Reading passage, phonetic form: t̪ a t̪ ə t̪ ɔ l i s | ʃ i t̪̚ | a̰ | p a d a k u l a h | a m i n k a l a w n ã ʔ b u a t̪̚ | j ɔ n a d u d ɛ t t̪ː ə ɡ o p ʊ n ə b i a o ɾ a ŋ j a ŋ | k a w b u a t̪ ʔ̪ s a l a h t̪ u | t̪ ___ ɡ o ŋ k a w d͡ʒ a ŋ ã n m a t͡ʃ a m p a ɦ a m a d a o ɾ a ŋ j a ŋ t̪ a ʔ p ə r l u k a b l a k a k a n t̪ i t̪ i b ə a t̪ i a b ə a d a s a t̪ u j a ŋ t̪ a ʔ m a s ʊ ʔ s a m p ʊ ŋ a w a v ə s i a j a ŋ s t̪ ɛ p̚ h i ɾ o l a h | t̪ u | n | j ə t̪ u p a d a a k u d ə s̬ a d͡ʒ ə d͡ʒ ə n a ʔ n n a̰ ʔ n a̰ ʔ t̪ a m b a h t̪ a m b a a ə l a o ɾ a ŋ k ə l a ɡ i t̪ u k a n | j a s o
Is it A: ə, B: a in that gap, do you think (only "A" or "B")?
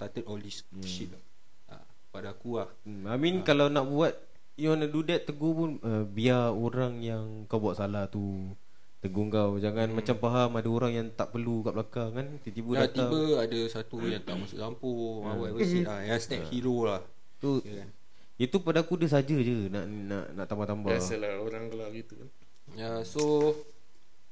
A